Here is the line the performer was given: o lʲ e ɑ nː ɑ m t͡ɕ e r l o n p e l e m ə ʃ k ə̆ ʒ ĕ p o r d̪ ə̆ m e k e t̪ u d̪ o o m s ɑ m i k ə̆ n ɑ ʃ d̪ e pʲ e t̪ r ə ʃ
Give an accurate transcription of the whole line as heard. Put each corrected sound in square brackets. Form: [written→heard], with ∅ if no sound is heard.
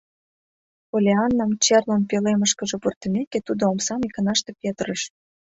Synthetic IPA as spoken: o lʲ e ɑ nː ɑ m t͡ɕ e r l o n p e l e m ə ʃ k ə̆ ʒ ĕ p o r [d̪→t̪] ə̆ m e k e t̪ u d̪ o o m s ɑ m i k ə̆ n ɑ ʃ [d̪→t̪] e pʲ e t̪ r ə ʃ